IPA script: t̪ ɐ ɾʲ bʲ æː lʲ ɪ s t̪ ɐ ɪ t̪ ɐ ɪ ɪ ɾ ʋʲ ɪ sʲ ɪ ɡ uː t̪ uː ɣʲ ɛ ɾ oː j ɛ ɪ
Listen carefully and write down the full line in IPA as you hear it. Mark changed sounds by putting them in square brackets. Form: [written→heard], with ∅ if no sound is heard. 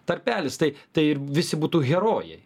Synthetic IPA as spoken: t̪ ɐ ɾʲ [bʲ→pʲ] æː lʲ ɪ s t̪ ɐ ɪ t̪ ɐ ɪ ɪ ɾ ʋʲ ɪ sʲ ɪ [ɡ→b] uː t̪ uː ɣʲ ɛ ɾ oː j ɛ ɪ